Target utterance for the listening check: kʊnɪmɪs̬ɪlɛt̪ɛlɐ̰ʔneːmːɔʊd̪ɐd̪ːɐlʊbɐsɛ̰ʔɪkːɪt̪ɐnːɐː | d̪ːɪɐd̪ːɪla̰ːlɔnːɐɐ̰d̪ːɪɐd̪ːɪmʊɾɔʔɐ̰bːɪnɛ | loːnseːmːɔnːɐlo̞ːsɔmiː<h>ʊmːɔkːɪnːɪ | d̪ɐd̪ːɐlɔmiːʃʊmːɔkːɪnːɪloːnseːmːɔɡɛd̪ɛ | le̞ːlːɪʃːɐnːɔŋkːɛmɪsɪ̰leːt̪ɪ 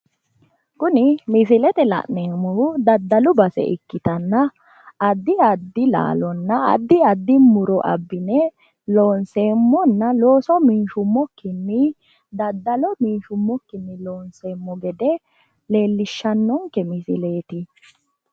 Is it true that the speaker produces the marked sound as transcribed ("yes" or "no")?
no